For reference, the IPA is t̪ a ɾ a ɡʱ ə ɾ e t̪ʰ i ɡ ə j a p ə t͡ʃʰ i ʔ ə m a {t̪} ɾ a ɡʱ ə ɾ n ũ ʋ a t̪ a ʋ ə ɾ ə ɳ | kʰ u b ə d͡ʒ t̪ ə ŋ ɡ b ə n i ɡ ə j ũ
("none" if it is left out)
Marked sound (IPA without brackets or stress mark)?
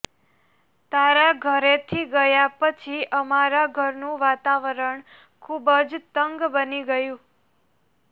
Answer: none